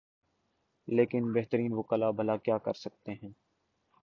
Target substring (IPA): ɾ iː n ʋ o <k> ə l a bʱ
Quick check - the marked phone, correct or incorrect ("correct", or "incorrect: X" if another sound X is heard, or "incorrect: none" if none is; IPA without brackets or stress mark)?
correct